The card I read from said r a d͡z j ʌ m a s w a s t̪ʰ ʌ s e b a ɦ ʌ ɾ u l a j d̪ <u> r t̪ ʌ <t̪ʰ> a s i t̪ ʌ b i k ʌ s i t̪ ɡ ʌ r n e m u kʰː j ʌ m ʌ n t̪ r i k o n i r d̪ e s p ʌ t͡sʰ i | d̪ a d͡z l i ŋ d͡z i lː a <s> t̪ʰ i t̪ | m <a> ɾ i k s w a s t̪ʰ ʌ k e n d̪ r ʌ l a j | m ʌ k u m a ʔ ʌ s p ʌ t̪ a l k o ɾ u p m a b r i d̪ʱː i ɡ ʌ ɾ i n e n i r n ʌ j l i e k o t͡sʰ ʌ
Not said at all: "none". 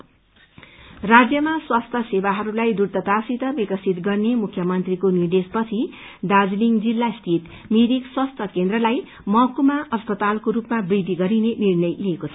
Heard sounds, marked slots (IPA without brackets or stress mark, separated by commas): u, t̪, s, i